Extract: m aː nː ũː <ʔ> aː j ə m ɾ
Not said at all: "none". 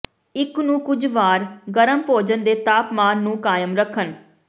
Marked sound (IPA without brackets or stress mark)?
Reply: k